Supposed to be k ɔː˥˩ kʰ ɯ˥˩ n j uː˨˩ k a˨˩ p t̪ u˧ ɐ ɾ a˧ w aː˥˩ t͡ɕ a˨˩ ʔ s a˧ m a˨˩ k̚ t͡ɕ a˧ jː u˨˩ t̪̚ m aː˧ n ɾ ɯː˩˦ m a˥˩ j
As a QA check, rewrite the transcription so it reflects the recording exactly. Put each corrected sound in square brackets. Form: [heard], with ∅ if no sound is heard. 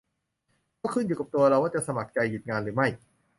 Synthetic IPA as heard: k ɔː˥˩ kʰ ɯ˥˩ n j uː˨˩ k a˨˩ p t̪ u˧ ɐ ɾ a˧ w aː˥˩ t͡ɕ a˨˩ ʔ s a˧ m a˨˩ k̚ t͡ɕ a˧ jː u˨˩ t̪̚ [ŋ] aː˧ n ɾ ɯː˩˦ m a˥˩ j